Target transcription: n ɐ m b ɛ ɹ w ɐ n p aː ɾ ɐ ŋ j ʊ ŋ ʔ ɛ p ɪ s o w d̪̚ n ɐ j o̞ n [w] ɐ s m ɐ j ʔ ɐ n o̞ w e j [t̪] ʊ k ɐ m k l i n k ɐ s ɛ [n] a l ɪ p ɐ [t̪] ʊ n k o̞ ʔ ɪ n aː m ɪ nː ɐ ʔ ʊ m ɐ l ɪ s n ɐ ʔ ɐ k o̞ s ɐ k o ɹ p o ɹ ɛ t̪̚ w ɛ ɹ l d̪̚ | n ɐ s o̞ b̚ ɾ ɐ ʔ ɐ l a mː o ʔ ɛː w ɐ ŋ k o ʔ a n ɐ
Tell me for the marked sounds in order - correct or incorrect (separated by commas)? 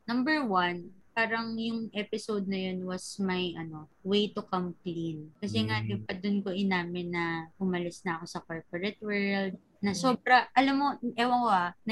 correct, correct, incorrect, incorrect